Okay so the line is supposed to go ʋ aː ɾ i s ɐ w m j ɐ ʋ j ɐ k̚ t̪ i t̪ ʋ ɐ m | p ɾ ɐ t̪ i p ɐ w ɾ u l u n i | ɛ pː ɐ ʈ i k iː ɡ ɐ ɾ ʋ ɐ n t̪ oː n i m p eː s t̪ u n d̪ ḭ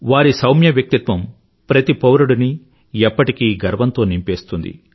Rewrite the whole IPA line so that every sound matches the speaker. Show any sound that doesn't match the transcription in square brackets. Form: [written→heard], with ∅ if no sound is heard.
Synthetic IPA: ʋ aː ɾ i s ɐ w m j ɐ ʋ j ɐ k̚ t̪ i t̪ ʋ ɐ m | p ɾ ɐ t̪ i p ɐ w ɾ u [l→ɽ] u n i | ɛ pː ɐ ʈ i k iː ɡ ɐ ɾ ʋ ɐ n t̪ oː n i m p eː s t̪ u n d̪ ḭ

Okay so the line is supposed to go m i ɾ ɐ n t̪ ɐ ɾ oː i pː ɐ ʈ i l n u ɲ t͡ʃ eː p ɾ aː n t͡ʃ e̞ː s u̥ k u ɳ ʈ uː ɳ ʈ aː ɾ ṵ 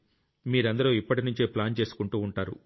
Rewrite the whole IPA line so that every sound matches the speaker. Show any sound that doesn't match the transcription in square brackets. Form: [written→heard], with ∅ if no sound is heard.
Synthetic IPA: m [i→iː] ɾ ɐ n [t̪→d̪] ɐ ɾ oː i pː ɐ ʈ i [l→∅] n u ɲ t͡ʃ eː p [ɾ→l] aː n t͡ʃ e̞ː s u̥ k u ɳ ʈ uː ɳ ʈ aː ɾ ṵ

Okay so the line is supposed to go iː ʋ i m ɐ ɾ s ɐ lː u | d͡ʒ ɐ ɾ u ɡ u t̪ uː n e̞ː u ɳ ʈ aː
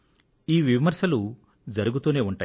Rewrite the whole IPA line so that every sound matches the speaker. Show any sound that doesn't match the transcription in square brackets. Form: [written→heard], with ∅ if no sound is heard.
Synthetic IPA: iː ʋ i m ɐ ɾ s ɐ [lː→l] u | d͡ʒ ɐ ɾ u ɡ u t̪ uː n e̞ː u ɳ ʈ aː

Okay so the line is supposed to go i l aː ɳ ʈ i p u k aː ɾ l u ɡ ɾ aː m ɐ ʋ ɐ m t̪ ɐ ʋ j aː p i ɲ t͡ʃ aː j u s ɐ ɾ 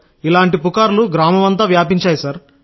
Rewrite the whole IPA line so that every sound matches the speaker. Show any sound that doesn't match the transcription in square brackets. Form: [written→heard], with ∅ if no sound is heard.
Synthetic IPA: i l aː ɳ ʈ i p u k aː ɾ l u ɡ ɾ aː m ɐ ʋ ɐ [m→n] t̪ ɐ ʋ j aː p i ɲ t͡ʃ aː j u s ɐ ɾ

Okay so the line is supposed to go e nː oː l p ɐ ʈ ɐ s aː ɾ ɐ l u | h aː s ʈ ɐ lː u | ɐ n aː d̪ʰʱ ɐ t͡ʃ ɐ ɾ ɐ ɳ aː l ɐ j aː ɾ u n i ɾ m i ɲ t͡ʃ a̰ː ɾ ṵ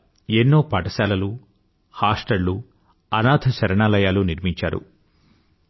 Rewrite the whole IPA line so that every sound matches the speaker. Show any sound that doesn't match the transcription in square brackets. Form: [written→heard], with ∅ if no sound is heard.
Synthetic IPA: e nː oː [l→∅] p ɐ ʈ ɐ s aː [ɾ→l] ɐ l u | h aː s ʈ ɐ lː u | ɐ n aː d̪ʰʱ ɐ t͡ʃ ɐ ɾ ɐ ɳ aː l ɐ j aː [ɾ→l] u n i ɾ m i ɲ t͡ʃ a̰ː ɾ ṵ

